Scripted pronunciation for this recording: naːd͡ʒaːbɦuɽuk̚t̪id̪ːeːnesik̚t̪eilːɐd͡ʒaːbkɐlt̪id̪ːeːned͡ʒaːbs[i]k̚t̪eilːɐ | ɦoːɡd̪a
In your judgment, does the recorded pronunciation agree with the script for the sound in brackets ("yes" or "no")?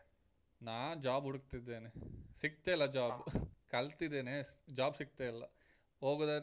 yes